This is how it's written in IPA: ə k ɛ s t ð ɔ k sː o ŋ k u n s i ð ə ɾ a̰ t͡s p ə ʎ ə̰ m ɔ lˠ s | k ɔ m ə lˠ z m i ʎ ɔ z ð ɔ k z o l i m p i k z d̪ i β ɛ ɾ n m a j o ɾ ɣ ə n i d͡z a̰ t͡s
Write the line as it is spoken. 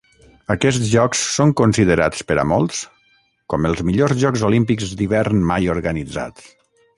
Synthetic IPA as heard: ə k ɛ s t ʒ ɔ k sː o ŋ k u n s i ð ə ɾ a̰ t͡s p ə ɾ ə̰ m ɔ lˠ s | k ɔ m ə lˠ z m i ʎ o z ʒ ɔ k z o l i m p i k z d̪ i β ɛ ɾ n m a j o ɾ ɣ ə n i d͡z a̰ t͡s